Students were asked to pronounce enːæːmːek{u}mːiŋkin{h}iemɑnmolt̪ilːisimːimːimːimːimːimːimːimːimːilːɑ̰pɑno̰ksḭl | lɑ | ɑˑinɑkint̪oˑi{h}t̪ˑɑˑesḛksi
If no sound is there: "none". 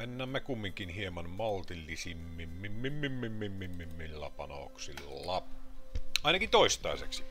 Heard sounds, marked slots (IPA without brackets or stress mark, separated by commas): u, h, s